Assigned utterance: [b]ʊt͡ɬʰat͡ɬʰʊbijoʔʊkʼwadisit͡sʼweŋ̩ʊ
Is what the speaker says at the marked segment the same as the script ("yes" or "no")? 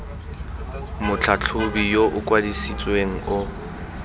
no